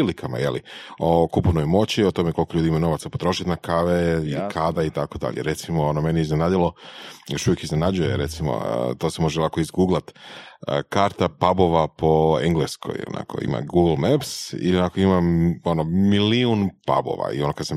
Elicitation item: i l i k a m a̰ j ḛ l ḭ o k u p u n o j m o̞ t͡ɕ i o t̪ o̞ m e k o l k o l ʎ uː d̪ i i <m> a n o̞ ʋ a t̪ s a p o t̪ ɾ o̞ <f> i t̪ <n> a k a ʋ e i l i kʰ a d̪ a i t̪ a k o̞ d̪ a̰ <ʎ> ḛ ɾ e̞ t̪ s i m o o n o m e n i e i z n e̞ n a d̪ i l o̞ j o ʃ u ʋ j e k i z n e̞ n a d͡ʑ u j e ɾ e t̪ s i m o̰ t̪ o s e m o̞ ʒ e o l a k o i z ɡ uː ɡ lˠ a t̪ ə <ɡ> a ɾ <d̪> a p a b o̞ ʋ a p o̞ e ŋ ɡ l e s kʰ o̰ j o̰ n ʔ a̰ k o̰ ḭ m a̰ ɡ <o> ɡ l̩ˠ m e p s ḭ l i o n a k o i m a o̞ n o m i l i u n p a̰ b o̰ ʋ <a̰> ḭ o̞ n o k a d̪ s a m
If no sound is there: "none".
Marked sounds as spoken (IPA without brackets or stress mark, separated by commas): m, ʃ, n, ʎ, k, t̪, u, a̰